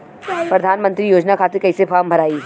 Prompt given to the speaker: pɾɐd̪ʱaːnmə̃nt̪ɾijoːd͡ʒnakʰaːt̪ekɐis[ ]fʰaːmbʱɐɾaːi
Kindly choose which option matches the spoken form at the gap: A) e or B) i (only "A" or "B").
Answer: A